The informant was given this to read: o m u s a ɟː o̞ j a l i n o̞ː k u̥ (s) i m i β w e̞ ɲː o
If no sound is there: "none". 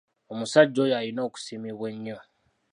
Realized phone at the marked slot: s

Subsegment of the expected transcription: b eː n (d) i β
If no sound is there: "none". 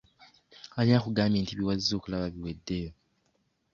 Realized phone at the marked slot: t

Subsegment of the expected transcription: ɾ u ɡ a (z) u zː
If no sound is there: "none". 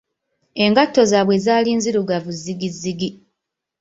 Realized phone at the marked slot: v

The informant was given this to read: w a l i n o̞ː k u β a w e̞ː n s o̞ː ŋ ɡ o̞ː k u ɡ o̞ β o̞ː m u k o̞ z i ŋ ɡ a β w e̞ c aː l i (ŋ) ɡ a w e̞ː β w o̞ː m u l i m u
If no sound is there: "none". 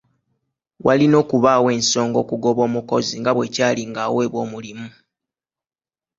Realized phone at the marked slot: ŋ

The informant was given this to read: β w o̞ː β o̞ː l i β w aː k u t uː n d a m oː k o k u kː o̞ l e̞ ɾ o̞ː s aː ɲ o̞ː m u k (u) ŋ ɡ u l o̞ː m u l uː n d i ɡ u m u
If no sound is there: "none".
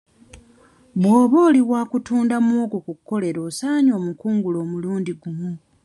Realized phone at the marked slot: uː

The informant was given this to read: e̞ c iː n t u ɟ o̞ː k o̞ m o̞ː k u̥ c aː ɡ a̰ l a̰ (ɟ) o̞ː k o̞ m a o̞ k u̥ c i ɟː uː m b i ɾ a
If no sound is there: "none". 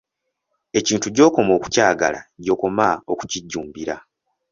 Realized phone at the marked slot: ɟ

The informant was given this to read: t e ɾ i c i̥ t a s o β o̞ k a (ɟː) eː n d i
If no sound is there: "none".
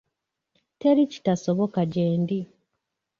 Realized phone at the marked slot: ɟ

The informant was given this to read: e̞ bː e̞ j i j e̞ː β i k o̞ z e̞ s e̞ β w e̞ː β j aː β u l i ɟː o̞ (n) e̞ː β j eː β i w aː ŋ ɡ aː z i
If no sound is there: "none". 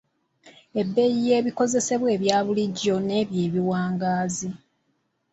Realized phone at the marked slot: n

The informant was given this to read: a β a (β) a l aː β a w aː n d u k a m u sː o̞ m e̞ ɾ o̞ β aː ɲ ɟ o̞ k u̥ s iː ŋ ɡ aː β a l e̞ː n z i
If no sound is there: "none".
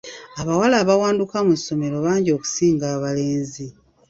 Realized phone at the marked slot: w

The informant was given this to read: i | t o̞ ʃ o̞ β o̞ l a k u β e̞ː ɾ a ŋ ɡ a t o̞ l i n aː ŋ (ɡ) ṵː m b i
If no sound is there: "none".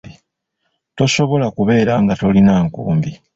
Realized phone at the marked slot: k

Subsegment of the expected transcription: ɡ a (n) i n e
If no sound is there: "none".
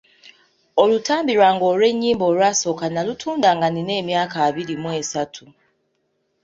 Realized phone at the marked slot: n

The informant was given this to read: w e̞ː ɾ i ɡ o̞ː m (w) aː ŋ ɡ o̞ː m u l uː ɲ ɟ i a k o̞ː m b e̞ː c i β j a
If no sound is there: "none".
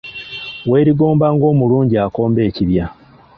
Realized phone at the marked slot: b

